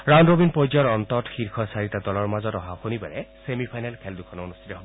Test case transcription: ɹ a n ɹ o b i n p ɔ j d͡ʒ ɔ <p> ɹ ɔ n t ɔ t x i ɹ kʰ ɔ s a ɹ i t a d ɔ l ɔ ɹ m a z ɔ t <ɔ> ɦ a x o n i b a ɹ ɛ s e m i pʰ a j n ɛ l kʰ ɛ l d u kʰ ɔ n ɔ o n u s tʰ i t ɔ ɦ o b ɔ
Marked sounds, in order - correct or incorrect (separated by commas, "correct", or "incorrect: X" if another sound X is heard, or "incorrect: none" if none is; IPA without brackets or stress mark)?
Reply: incorrect: none, correct